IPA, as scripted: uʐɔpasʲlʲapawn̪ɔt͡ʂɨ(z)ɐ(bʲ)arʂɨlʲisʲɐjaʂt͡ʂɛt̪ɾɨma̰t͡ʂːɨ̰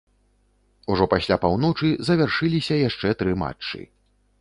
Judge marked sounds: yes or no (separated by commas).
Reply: yes, no